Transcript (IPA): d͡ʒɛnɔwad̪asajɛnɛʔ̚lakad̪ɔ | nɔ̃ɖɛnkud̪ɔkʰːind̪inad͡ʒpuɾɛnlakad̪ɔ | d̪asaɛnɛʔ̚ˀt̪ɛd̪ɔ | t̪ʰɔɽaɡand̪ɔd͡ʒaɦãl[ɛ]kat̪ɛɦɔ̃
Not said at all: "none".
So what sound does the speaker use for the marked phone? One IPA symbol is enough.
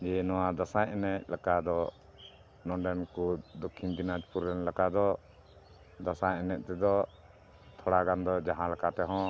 a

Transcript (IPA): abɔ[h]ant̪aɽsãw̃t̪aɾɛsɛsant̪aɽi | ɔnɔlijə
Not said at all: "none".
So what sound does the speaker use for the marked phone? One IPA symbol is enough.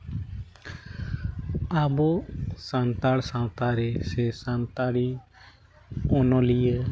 s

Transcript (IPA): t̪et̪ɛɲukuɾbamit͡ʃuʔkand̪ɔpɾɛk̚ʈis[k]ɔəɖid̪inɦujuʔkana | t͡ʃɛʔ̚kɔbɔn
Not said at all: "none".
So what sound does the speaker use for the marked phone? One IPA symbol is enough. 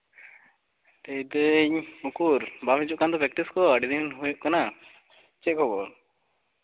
k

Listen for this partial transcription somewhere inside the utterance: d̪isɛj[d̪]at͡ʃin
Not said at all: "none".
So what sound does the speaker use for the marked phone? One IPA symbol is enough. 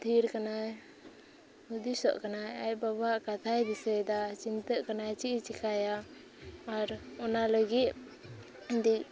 d̪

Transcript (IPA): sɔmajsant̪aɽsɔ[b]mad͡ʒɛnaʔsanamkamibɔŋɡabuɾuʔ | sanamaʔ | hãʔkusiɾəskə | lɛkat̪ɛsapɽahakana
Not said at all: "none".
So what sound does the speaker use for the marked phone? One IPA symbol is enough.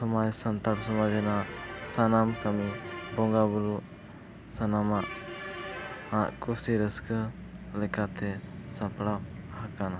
none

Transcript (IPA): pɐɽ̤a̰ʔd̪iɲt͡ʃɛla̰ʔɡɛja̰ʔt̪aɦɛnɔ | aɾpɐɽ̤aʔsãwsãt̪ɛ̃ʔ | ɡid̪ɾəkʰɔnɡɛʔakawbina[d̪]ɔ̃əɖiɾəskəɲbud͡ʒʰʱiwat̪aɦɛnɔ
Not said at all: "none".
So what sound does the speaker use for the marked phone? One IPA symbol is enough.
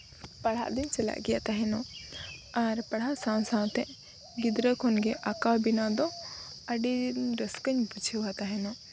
d̪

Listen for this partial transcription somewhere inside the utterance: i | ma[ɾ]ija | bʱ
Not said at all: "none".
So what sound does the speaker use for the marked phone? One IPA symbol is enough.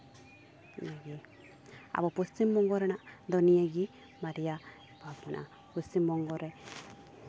ɾ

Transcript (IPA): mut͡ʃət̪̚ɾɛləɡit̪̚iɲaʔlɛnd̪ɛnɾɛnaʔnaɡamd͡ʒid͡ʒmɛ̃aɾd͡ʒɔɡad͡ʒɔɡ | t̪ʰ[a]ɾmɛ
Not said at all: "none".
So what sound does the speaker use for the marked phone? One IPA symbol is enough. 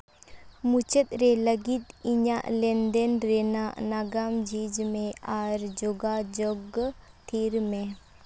i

